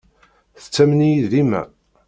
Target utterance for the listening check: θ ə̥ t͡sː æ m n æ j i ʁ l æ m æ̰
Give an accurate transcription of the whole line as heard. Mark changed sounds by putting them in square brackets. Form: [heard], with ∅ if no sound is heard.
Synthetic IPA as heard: θ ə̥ t͡sː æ m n [i] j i [ð] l [i] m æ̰